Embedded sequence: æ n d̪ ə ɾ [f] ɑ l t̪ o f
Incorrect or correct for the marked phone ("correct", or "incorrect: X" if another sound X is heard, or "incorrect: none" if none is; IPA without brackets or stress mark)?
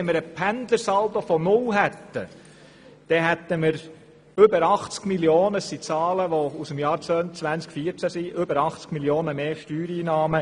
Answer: incorrect: s